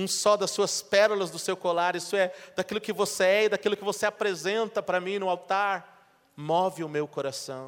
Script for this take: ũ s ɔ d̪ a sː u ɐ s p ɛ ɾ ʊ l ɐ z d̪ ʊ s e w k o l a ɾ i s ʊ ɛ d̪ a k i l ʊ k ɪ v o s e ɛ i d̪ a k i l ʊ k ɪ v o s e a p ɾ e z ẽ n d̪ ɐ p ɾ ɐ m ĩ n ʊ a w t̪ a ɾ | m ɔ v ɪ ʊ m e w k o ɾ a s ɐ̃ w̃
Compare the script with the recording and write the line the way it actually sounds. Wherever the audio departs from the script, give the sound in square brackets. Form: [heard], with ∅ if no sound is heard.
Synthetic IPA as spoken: ũ s ɔ d̪ [ɐ] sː u ɐ s p ɛ ɾ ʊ l ɐ z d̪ ʊ s e w k o l a ɾ i s ʊ ɛ d̪ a k i l ʊ k ɪ v o s e ɛ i d̪ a k i l ʊ k ɪ v o s e a p ɾ e z ẽ n [t̪] ɐ p ɾ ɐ m ĩ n ʊ a w t̪ a ɾ | m ɔ v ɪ ʊ m e w k o ɾ a s ɐ̃ w̃